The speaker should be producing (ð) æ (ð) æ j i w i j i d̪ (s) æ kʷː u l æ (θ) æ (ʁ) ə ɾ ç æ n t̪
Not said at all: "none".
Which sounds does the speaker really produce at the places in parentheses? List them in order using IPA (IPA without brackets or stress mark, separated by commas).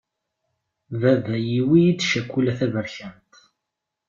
v, v, ʃ, θ, v